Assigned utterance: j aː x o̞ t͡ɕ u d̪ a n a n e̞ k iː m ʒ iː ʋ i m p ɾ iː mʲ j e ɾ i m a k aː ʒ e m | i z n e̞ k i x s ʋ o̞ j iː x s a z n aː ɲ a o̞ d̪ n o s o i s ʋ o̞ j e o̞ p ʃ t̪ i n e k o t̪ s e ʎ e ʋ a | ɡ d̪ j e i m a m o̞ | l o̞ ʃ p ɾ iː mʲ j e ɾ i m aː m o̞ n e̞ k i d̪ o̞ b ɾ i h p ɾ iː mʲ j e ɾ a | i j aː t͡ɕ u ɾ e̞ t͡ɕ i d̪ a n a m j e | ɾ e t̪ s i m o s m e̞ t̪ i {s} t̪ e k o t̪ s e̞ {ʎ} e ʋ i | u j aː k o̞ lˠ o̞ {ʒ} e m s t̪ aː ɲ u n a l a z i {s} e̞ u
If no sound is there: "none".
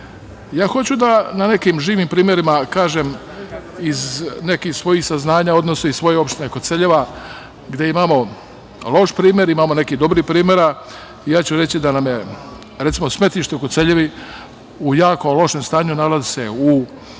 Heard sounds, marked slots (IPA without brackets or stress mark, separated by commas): ʃ, ʎ, ʃ, s